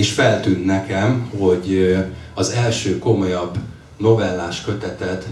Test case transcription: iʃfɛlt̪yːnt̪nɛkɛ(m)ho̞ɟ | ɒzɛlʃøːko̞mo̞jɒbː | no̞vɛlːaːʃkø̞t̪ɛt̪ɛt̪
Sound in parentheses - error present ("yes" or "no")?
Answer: no